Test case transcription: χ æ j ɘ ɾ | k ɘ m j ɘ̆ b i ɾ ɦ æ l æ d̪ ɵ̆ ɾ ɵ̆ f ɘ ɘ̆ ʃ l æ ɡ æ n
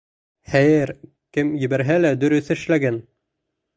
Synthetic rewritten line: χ æ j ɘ ɾ | k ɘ m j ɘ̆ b æ ɾ ɦ æ l æ d̪ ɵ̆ ɾ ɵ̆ θ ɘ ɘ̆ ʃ l æ ɡ æ n

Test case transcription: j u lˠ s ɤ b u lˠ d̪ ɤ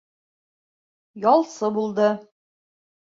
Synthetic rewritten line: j ɒ lˠ s ɤ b u lˠ d̪ ɤ

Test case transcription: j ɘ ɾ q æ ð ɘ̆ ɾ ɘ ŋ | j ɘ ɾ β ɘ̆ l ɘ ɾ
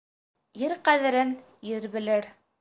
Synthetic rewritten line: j ɘ ɾ q æ ð ɘ̆ ɾ ɘ n | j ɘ ɾ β ɘ̆ l ɘ ɾ

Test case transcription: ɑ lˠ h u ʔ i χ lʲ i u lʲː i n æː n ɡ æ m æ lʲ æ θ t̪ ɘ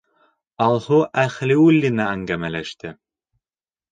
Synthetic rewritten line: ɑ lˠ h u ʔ æ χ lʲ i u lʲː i n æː ŋ ɡ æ m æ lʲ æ ʃ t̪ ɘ

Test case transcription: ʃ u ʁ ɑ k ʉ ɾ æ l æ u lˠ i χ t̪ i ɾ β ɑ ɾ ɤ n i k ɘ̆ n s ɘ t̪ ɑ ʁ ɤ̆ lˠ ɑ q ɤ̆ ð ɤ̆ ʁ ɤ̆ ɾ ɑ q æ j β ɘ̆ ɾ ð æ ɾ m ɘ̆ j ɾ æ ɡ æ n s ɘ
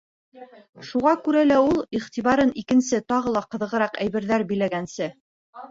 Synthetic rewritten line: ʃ u ʁ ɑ k ʉ ɾ æ l æ u lˠ i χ t̪ i β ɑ ɾ ɤ n i k ɘ̆ n s ɘ t̪ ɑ ʁ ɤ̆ lˠ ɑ q ɤ̆ ð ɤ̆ ʁ ɤ̆ ɾ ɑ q æ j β ɘ̆ ɾ ð æ ɾ b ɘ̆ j l æ ɡ æ n s ɘ

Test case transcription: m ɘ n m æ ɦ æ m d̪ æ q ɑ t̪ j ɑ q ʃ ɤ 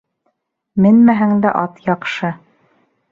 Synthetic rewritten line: m ɘ n m æ ɦ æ ŋ d̪ æ ʔ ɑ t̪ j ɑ q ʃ ɤ

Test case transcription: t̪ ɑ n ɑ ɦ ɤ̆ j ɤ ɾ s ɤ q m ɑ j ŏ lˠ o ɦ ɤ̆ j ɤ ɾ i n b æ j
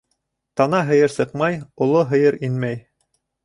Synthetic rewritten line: t̪ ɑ n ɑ ɦ ɤ̆ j ɤ ɾ s ɤ q m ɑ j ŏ lˠ o ɦ ɤ̆ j ɤ ɾ i n m æ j

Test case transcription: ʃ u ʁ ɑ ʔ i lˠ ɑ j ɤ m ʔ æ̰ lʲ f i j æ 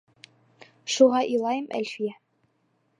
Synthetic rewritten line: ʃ u ʁ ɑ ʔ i lˠ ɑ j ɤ m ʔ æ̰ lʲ f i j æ

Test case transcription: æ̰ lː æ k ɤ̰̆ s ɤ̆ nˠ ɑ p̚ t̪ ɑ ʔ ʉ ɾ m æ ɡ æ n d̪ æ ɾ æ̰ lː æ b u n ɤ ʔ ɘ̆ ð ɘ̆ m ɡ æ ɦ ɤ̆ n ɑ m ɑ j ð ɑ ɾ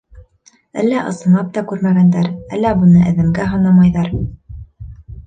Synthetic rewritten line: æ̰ lː æ ʔ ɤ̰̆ s ɤ̆ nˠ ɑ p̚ t̪ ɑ k ʉ ɾ m æ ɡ æ n d̪ æ ɾ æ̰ lː æ b u n ɤ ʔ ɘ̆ ð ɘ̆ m ɡ æ ɦ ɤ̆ n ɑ m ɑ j ð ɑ ɾ

